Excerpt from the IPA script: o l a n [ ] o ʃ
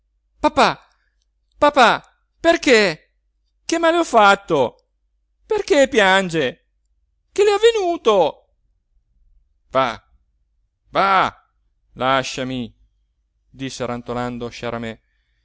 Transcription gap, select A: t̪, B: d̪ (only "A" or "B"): B